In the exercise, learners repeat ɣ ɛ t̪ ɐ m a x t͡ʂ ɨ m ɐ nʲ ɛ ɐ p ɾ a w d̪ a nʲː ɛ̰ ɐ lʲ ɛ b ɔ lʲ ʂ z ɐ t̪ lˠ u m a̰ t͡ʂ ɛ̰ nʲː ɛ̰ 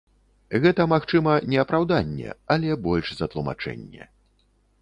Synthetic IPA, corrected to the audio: ɣ ɛ t̪ ɐ m a x t͡ʂ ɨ m ɐ nʲ ɛ ɐ p ɾ a w d̪ a nʲː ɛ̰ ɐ lʲ ɛ b ɔ lʲ ʂ z ɐ t̪ lˠ u m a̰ t͡ʂ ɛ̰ nʲː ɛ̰